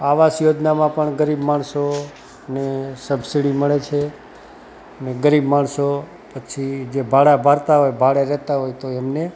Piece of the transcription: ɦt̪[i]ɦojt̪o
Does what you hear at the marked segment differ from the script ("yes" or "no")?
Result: yes